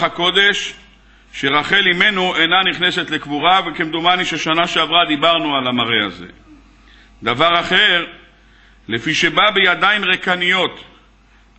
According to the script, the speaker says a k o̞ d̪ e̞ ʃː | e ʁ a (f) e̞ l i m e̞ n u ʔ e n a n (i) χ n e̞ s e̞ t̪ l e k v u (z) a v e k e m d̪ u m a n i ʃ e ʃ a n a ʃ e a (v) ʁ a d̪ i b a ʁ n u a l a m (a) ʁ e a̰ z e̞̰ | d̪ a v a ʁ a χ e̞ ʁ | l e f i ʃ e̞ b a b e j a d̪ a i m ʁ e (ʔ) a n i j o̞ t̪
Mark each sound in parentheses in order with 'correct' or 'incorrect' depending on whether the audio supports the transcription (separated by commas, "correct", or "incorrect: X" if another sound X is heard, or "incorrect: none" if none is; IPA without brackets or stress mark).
incorrect: χ, correct, incorrect: ʁ, correct, correct, incorrect: k